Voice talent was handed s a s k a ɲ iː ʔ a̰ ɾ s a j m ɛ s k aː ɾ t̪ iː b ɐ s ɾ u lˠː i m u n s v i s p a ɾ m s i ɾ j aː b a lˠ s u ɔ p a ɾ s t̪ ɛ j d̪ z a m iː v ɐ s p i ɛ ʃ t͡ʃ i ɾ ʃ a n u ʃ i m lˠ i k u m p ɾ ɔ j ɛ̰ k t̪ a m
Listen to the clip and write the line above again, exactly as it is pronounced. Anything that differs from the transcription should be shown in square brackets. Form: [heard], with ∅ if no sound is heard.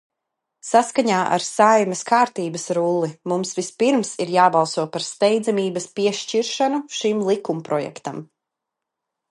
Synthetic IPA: s a s k a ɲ [aː] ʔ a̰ ɾ s a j m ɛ s k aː ɾ t̪ iː b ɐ s ɾ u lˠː i m u [m] s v i s p [i] ɾ m s i ɾ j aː b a lˠ s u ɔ p a ɾ s t̪ ɛ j d̪ z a m iː [b] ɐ s p i ɛ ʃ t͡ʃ i ɾ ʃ a n u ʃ i m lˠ i k u m p ɾ ɔ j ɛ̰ k t̪ a m